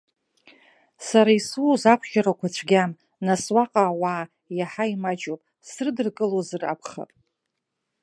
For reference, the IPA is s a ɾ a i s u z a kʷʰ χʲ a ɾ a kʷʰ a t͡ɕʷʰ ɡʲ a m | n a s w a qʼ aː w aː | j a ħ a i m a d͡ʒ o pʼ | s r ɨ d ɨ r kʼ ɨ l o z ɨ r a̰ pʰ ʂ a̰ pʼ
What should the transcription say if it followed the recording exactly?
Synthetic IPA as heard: s a ɾ a i s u z a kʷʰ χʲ a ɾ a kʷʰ a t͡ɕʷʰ ɡʲ a m | n a s w a qʼ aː w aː | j a ħ a i m a d͡ʒ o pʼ | s r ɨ d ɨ r kʼ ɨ l o z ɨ r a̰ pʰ χ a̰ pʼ